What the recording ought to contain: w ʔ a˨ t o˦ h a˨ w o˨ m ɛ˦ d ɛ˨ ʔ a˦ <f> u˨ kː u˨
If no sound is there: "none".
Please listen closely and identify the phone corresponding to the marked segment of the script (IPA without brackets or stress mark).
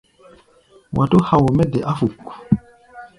f